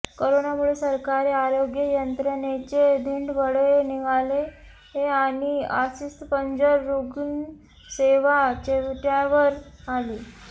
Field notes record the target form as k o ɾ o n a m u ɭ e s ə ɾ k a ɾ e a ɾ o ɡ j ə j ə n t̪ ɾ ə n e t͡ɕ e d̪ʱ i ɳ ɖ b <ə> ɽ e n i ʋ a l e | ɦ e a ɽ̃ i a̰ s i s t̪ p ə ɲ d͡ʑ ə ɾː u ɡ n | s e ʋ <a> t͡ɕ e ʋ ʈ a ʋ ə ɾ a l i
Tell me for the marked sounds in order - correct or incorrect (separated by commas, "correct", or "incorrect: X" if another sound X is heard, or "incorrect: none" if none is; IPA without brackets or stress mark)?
correct, correct